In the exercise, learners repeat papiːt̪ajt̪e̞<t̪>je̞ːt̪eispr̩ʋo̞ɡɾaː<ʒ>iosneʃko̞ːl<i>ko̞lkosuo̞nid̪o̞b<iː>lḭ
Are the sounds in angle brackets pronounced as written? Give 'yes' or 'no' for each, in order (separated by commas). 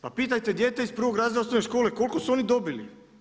no, no, no, no